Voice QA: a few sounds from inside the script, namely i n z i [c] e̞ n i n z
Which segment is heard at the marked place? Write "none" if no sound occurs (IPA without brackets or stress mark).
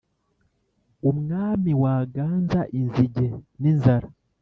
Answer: ɟ